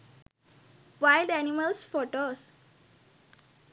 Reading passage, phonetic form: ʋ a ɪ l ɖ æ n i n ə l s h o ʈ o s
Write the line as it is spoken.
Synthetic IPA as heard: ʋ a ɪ l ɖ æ n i m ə l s f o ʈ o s